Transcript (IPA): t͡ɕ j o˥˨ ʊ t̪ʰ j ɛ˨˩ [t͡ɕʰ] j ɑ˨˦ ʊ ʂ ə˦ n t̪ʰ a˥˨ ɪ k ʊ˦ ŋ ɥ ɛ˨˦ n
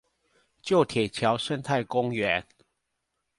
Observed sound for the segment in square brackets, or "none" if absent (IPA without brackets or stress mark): t͡ɕʰ